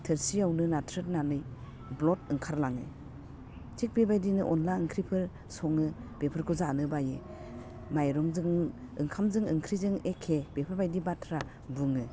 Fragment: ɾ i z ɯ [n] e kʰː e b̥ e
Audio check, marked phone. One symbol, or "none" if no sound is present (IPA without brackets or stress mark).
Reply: ŋ